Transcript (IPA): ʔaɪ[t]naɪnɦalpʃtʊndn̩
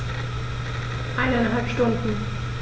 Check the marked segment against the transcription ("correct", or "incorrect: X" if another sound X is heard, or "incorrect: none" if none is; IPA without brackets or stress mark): incorrect: none